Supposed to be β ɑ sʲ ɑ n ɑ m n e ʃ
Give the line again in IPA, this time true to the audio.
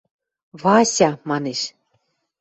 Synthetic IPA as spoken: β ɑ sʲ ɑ m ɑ n e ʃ

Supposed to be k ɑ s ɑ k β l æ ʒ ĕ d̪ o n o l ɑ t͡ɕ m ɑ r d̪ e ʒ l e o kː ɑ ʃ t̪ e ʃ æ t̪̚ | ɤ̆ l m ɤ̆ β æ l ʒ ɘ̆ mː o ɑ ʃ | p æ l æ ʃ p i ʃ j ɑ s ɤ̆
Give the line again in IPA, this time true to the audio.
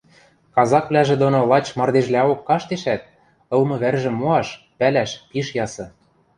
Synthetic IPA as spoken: k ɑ z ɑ k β l æ ʒ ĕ d̪ o n o l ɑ t͡ɕ m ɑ r d̪ e ʒ l æ o kː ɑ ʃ t̪ e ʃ æ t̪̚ | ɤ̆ l m ɤ̆ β æ r ʒ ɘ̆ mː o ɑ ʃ | p æ l æ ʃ p i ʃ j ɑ s ɤ̆

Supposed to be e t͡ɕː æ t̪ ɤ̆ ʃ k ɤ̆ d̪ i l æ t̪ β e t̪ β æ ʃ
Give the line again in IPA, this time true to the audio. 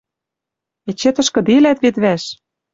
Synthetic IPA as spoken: e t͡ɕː e t̪ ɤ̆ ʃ k ɤ̆ d̪ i l æ t̪ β e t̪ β æ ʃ

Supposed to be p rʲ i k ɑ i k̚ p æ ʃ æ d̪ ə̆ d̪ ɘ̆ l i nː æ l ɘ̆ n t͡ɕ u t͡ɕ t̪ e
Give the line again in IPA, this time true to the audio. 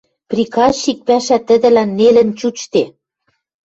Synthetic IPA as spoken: p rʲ i k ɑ i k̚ p æ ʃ æ t̪ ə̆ d̪ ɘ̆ l æ nː e l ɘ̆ n t͡ɕ u t͡ɕ t̪ e

